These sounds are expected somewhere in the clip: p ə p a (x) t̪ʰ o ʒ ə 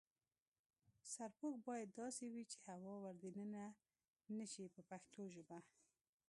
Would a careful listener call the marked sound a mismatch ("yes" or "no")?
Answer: no